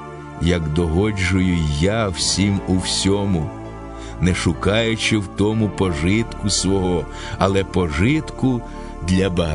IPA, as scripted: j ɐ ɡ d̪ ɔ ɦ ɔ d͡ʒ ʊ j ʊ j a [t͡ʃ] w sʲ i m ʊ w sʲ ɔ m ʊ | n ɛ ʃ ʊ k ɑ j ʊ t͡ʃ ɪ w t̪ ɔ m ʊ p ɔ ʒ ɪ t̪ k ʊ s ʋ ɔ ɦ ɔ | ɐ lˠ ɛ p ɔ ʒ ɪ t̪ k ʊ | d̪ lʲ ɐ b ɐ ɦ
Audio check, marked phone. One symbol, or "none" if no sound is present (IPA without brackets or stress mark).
none